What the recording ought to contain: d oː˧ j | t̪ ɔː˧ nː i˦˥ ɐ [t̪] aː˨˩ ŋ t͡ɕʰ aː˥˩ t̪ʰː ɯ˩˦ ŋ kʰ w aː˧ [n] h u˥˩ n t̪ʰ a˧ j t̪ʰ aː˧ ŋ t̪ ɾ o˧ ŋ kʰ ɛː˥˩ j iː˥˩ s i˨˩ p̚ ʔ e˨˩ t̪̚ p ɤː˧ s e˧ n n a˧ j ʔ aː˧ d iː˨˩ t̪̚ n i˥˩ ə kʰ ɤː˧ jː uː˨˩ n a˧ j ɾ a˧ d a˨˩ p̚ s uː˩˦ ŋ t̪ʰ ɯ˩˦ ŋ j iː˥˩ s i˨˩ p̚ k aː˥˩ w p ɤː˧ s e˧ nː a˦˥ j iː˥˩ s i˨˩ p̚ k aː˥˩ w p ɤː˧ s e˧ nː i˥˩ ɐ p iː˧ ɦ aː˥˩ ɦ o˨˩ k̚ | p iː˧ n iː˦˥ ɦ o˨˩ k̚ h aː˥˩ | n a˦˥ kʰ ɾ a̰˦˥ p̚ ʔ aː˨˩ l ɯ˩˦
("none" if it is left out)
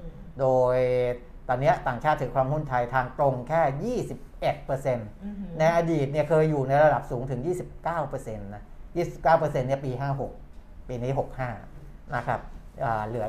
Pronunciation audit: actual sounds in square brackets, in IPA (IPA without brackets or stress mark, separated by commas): t̪, m